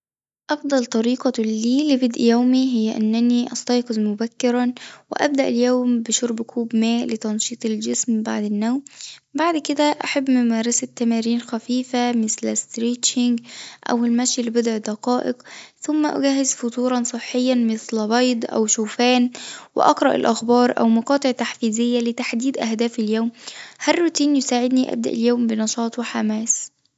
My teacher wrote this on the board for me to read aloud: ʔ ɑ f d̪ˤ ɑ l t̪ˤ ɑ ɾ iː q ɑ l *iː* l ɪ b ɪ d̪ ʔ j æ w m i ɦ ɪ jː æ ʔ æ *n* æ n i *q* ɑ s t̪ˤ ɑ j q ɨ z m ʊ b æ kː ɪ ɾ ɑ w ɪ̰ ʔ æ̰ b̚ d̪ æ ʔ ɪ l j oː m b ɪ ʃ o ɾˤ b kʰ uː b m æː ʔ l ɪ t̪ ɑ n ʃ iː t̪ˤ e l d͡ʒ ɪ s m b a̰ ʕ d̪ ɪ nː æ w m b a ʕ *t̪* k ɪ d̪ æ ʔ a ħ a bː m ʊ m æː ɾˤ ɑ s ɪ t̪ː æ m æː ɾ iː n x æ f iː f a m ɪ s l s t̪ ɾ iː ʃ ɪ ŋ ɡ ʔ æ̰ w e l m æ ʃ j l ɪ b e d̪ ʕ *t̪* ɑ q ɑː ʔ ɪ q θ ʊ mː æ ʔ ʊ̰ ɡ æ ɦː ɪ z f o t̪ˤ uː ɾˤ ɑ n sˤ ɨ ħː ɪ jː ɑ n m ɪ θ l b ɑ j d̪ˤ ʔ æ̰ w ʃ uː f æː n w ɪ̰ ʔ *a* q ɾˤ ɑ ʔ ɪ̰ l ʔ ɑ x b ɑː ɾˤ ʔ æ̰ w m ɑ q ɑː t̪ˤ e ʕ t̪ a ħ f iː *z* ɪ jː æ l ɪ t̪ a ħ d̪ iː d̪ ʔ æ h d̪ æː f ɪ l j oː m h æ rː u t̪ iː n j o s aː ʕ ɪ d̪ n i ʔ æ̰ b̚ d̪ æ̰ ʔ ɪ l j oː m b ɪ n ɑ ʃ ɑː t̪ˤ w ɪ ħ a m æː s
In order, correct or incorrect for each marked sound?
correct, incorrect, incorrect, incorrect, incorrect, incorrect, correct

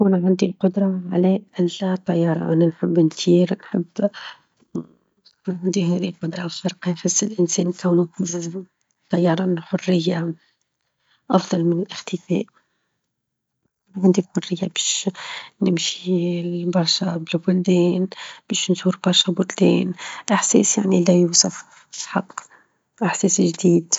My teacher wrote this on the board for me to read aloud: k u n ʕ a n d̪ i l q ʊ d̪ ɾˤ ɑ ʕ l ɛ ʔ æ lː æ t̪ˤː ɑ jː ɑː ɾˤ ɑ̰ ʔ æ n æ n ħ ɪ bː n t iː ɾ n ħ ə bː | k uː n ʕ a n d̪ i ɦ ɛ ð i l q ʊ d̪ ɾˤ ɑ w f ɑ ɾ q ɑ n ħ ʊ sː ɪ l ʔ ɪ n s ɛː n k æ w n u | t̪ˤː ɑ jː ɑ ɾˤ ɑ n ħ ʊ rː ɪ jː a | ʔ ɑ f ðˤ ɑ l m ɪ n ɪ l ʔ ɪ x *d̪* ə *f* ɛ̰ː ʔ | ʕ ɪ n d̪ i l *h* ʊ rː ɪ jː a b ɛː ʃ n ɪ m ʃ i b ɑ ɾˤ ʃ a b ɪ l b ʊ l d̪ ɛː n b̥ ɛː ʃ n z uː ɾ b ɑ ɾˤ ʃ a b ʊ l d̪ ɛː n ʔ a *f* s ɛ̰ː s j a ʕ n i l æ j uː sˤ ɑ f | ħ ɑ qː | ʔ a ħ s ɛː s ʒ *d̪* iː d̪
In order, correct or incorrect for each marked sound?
incorrect, correct, incorrect, incorrect, correct

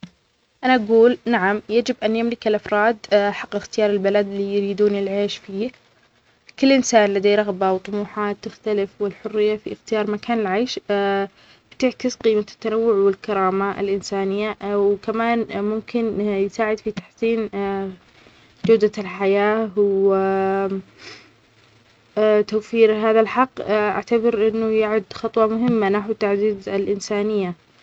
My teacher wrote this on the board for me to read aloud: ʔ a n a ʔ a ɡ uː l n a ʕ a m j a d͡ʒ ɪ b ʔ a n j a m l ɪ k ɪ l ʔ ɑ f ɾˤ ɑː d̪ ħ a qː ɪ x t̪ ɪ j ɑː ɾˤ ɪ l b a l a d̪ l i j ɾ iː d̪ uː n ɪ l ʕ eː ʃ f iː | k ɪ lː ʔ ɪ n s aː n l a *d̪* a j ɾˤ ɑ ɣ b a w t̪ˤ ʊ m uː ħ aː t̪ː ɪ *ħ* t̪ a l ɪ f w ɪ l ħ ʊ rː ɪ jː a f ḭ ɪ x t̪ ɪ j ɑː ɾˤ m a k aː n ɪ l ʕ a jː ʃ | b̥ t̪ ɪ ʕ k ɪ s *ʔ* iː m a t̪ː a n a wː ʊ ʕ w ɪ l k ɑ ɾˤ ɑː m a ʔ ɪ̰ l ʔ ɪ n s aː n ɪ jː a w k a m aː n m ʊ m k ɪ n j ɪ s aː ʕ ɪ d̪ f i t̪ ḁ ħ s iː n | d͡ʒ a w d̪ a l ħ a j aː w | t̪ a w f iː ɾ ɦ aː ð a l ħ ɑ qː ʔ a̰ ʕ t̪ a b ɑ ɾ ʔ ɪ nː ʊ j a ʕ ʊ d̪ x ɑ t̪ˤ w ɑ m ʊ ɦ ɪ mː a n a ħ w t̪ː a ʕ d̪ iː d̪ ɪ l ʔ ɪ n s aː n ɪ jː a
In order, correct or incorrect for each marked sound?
correct, incorrect, incorrect

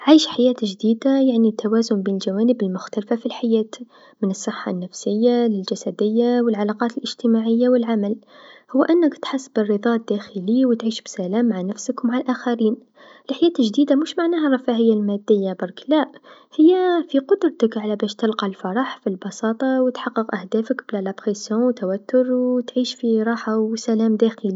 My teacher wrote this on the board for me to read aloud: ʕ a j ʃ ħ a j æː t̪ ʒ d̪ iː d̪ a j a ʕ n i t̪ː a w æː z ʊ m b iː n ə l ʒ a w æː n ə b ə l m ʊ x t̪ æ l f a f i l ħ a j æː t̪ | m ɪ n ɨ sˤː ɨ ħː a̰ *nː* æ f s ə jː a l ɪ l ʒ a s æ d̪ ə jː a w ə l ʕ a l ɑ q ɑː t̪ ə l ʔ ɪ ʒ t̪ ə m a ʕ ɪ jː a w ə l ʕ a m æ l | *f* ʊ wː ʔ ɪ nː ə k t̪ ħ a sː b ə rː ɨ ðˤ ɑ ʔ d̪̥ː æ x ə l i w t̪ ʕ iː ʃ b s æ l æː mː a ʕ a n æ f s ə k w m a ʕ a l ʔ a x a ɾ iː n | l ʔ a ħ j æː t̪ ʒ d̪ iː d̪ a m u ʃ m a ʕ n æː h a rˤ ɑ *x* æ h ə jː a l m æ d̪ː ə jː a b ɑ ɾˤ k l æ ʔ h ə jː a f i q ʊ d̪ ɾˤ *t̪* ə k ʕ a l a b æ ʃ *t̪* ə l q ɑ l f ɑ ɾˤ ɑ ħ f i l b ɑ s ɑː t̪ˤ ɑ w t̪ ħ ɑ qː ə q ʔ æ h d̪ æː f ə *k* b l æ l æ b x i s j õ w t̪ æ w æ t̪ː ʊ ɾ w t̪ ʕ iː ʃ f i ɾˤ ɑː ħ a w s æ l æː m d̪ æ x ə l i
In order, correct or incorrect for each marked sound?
correct, incorrect, incorrect, correct, correct, correct

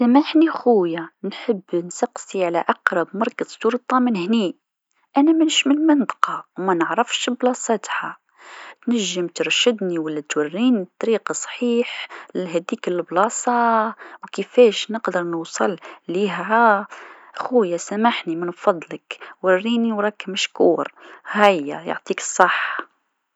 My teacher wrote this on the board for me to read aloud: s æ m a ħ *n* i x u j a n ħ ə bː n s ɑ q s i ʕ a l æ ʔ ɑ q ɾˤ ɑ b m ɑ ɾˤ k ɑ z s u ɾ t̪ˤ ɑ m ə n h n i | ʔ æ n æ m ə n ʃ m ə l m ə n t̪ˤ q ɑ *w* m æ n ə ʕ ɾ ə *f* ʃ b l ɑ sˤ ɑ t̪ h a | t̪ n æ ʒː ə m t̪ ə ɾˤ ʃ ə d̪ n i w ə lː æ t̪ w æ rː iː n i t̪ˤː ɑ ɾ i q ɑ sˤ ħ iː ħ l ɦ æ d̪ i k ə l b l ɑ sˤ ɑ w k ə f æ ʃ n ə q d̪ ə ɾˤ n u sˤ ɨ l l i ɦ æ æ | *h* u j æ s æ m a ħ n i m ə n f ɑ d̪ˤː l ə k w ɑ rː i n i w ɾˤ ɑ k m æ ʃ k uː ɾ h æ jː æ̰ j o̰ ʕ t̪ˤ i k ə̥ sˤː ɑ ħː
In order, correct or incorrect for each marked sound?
correct, correct, correct, incorrect

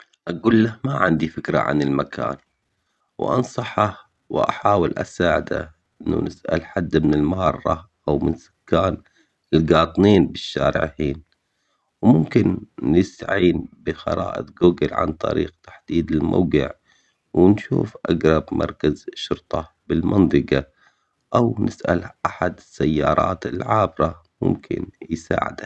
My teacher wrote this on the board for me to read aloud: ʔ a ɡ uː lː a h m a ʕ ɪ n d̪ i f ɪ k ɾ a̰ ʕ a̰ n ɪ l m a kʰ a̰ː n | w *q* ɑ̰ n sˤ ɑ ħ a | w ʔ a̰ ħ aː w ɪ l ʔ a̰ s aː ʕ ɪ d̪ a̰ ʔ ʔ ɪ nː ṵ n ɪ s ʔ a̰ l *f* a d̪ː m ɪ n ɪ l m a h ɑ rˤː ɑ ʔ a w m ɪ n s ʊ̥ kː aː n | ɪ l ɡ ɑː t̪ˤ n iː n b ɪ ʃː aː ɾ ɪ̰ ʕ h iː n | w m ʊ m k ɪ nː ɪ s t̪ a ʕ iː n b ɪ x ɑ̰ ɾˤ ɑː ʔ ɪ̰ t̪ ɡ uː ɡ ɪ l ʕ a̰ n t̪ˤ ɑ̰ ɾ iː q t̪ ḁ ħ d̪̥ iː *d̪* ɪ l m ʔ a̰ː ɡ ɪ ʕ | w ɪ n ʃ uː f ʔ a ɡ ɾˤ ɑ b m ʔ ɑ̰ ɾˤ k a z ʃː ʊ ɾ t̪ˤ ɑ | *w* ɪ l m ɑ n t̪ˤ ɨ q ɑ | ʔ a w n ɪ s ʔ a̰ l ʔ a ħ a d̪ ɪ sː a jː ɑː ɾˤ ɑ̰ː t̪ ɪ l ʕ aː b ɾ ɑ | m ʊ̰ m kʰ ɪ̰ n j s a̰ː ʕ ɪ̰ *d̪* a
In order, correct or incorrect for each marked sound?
incorrect, incorrect, correct, incorrect, correct

